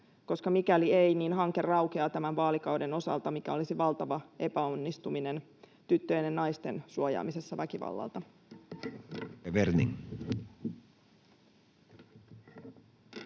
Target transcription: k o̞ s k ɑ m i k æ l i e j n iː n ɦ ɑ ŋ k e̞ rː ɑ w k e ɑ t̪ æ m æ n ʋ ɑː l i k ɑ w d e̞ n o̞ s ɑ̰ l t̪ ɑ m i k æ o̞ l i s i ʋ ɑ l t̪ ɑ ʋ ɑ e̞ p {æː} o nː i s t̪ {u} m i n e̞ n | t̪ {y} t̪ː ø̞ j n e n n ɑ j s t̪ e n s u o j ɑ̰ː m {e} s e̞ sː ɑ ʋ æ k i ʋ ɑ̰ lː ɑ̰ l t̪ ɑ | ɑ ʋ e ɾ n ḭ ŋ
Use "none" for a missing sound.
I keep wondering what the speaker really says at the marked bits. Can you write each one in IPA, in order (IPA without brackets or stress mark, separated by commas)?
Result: æ, u, y, i